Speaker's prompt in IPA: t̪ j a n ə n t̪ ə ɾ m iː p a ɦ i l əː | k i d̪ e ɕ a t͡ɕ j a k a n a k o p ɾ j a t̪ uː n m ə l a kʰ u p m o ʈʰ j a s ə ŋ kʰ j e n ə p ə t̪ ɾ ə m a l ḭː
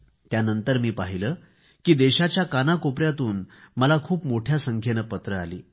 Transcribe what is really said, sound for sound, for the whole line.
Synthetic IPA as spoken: t̪ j a n ə n t̪ ə ɾ m iː p a ɦ i l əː | k iː d̪ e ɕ a t͡ɕ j a k a n a k o p ɾ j a t̪ uː n m ə l a kʰ uː p m o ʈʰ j a s ə ŋ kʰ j e n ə p ə t̪ ɾ ə a l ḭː